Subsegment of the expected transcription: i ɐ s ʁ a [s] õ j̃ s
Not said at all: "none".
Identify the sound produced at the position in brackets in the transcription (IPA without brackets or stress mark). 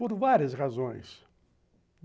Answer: z